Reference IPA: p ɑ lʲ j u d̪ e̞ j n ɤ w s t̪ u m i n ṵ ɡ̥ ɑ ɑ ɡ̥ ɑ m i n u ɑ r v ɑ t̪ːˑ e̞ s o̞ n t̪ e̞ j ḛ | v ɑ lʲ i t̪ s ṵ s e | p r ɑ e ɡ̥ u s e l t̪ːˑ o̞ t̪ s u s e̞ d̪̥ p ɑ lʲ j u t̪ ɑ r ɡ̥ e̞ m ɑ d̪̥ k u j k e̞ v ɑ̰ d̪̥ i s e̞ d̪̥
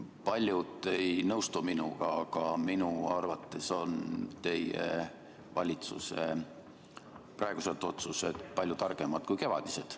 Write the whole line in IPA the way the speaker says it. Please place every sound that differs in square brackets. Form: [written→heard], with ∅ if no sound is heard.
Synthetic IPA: p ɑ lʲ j u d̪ e̞ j n ɤ w s t̪ u m i n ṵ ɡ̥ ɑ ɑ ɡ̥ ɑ m i n u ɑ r v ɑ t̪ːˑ e̞ s o̞ n t̪ e̞ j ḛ | v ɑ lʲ i t̪ s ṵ s e | p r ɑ e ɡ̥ u s e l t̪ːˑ o̞ t̪ s u s e̞ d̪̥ p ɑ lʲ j u t̪ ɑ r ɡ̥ e̞ m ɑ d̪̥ k u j k e̞ v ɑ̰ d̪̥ i s e̞ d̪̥

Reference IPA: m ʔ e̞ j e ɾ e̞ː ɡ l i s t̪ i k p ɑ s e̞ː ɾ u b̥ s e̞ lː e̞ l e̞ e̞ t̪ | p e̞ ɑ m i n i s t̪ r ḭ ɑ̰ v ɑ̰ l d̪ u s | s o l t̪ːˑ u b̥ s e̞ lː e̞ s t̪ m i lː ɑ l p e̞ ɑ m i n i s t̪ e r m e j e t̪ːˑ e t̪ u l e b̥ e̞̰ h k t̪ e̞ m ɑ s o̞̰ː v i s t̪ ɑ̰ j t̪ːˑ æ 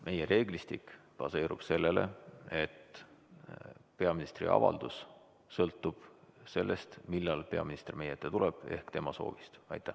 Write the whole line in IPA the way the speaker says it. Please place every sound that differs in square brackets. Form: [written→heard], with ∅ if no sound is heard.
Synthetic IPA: m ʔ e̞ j e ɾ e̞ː ɡ l i s t̪ i k p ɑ s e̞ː ɾ u b̥ s e̞ lː e̞ l e̞ e̞ t̪ | p e̞ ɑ m i n i s t̪ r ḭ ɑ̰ v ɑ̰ l d̪ u s | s [o→ɤ] l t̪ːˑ u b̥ s e̞ lː e̞ s t̪ m i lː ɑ l p e̞ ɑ m i n i s t̪ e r m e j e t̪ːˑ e t̪ u l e b̥ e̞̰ h k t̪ e̞ m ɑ s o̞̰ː v i s t̪ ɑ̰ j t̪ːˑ æ

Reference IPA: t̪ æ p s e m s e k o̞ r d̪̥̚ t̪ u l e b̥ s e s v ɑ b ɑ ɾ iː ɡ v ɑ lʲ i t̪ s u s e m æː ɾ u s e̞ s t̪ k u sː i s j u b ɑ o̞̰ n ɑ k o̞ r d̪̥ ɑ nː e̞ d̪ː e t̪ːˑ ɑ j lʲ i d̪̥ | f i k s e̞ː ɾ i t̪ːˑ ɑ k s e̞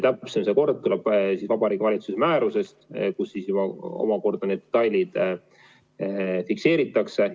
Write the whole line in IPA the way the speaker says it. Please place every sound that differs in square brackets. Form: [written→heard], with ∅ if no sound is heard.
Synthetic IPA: t̪ æ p s e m s e k o̞ r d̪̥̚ t̪ u l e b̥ s [e→i] s v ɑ b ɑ ɾ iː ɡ v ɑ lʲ i t̪ s u s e m æː ɾ u s e̞ s t̪ k u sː i s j u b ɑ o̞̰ [n→m] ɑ k o̞ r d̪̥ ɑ [nː→n] e̞ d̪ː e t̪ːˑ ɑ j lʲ i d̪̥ | f i k s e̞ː ɾ i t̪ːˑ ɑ k s e̞

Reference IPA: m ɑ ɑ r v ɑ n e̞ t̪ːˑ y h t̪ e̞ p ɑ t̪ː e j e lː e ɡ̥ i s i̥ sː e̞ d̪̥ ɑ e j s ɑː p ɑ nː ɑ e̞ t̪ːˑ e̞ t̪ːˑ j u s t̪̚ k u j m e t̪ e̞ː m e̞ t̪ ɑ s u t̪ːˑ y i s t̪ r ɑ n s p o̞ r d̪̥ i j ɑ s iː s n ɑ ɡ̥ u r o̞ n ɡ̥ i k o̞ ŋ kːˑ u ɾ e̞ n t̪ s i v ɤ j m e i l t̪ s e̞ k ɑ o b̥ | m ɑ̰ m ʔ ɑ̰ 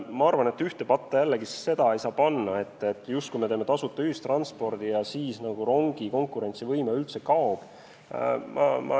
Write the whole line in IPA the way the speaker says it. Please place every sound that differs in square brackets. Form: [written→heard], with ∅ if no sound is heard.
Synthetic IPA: m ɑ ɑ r v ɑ n e̞ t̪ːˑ y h t̪ e̞ p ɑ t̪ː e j [e→æ] lː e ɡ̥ i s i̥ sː e̞ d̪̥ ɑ e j s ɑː p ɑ nː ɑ e̞ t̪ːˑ e̞ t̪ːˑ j u s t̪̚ k u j m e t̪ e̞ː m e̞ t̪ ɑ s u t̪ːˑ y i s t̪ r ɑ n s p o̞ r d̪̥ i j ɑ s iː s n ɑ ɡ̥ u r o̞ [n→ŋ] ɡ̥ i k o̞ ŋ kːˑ u ɾ e̞ n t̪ s i v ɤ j m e [i→y] l t̪ s e̞ k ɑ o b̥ | m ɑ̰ m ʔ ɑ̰

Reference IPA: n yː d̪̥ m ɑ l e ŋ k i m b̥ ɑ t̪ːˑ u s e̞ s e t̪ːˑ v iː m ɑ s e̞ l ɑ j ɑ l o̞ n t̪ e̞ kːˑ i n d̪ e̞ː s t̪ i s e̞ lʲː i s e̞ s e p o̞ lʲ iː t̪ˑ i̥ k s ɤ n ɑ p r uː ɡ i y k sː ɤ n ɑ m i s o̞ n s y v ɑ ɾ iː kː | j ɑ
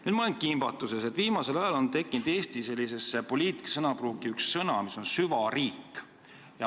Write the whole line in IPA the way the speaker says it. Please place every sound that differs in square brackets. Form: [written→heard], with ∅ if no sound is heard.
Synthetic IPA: n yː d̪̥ m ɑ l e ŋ k i m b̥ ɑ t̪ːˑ u s e̞ s e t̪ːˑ v iː m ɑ s e̞ l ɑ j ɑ l o̞ n t̪ e̞ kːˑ i n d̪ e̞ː s t̪ i s e̞ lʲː i s e̞ s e p o̞ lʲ iː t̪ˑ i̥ k s ɤ n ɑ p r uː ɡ i y k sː ɤ n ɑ m i s o̞ n s y v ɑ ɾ iː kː | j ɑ

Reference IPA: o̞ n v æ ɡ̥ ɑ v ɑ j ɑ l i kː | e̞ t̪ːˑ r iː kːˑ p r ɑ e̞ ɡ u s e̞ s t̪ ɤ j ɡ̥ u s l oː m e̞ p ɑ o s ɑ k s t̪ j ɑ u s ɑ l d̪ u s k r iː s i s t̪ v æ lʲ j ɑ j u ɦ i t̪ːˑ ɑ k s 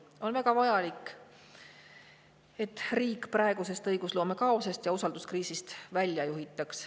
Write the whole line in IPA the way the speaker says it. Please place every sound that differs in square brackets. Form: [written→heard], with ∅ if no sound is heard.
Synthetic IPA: o̞ n v æ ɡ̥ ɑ v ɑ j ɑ l i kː | e̞ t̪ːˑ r iː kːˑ p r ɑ e̞ ɡ u s e̞ s t̪ ɤ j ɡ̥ u s l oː m e̞ [p→k] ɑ o s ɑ [k→∅] s t̪ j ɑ u s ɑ l d̪ u s k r iː s i s t̪ v æ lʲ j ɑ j u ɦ i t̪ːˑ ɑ k s

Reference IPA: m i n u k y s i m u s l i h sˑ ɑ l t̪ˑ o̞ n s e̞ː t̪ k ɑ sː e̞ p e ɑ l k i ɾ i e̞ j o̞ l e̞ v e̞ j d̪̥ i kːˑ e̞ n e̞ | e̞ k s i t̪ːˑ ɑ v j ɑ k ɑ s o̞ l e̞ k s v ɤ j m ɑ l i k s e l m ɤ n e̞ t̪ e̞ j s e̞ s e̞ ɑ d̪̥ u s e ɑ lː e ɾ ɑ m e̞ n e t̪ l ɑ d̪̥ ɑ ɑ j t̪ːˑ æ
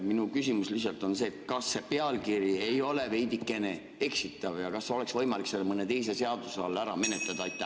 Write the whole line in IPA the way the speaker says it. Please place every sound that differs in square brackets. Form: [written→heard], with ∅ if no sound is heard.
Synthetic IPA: m i n u k y s i m u s l i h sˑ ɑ l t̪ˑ o̞ n s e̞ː t̪ k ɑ sː e̞ p e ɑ l k i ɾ i e̞ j o̞ l e̞ v e̞ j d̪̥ i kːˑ e̞ n e̞ | e̞ k s i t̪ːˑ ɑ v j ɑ k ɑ s o̞ l e̞ k s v ɤ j m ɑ l i k s e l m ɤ n e̞ t̪ e̞ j s e̞ s e̞ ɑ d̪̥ u s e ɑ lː [e→æ] ɾ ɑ m e̞ n e t̪ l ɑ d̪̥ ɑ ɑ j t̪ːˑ æ

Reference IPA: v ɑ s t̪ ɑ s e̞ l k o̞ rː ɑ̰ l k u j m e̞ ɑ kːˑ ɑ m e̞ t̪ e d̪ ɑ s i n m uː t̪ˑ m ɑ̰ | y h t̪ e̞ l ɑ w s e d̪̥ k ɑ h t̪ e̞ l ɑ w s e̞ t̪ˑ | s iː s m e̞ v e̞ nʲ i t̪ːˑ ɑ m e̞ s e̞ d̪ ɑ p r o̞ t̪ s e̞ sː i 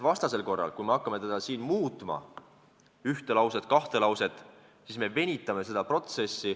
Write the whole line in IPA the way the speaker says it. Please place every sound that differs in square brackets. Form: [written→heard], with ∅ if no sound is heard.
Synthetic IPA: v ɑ s t̪ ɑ s e̞ l k o̞ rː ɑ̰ l k u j m e̞ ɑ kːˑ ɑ m e̞ t̪ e d̪ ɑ s [i→iː] n m uː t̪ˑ m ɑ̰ | y h t̪ e̞ l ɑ w s e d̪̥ k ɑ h t̪ e̞ l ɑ w s e̞ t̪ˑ | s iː s m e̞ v e̞ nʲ i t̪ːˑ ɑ m e̞ s e̞ d̪ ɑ p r o̞ t̪ s e̞ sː i

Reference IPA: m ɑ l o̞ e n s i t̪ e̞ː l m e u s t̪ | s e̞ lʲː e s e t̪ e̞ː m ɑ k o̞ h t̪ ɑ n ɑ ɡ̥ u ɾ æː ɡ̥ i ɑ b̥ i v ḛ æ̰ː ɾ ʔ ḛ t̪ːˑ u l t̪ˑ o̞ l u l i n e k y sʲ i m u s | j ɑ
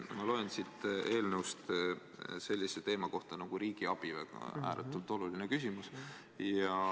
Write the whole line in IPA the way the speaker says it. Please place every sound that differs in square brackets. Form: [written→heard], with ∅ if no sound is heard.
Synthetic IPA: m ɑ l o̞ e n s i t̪ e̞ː l [m→n] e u s t̪ | s e̞ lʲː [e→i] s e t̪ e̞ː m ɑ k o̞ h t̪ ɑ n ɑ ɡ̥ u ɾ [æː→iː] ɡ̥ i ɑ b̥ i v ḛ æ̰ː ɾ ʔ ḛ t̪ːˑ u l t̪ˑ o̞ l u l i n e k y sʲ i m u s | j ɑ

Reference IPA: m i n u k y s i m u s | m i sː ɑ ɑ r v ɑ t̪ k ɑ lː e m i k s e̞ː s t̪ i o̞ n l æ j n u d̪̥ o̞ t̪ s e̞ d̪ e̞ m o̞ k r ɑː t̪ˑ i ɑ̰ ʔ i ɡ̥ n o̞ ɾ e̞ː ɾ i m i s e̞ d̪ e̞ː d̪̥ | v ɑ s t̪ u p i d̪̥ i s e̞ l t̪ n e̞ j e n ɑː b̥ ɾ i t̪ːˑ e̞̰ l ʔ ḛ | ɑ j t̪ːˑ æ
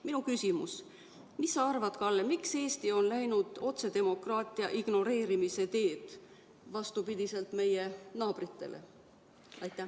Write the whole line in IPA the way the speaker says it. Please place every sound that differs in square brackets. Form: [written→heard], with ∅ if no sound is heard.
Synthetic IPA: m i n u k y s i m u s | m i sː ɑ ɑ r v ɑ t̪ k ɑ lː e m i k s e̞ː s t̪ i o̞ n l æ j n u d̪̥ o̞ t̪ s e̞ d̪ e̞ m o̞ k r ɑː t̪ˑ i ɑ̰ ʔ i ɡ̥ n o̞ ɾ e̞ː ɾ i m i s e̞ [d̪→t̪] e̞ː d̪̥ | v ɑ s t̪ u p i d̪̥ i s e̞ l t̪ [n→m] e̞ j e n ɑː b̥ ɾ i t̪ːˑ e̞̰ l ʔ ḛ | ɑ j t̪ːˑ æ

